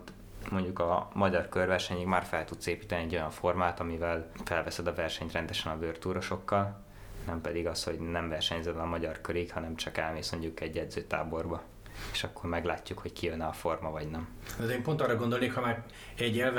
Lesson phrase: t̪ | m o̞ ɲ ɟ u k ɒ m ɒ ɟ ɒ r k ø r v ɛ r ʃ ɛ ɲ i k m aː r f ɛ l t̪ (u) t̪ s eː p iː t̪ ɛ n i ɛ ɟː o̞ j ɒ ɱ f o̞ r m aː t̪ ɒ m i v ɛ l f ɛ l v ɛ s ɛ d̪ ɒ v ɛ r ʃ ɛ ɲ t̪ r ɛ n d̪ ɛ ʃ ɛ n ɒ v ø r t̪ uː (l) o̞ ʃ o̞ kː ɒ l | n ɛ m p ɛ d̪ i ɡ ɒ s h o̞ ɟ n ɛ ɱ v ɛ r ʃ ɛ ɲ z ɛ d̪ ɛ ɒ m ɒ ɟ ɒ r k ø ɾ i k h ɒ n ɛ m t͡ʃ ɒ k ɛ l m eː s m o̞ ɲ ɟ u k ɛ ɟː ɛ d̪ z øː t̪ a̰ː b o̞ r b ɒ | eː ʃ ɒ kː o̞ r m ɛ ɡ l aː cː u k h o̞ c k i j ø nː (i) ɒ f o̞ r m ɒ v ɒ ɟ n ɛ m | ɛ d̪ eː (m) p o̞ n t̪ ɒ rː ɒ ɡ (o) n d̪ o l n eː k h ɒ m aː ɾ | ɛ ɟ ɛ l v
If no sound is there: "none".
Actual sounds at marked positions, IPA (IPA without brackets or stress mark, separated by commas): u, ɾ, ɛ, m, o